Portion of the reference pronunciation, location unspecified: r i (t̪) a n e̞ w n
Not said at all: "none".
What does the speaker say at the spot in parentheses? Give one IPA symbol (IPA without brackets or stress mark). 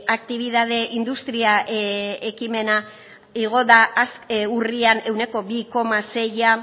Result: none